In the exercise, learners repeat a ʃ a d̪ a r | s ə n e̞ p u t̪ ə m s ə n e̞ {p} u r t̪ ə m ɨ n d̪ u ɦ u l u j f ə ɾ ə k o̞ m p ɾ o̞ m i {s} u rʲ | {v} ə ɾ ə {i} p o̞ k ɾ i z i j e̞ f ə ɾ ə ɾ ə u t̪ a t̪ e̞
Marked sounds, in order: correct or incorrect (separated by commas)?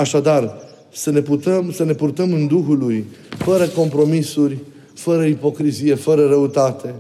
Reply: correct, correct, incorrect, correct